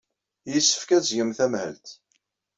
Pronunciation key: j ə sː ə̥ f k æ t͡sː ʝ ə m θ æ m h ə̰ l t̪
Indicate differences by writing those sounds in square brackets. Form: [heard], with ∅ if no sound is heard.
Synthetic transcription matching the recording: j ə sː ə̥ f k æ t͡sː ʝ ə m θ æ m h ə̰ l t̪